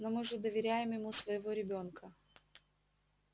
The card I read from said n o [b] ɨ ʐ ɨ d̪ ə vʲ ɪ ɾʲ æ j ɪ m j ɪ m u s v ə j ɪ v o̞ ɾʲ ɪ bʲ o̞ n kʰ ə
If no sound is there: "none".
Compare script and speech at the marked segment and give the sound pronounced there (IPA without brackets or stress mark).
m